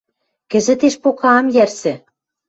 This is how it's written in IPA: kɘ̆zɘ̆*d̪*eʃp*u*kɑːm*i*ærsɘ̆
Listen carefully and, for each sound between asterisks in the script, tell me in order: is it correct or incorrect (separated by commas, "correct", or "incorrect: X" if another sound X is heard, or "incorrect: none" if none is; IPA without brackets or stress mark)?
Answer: incorrect: t̪, incorrect: o, incorrect: j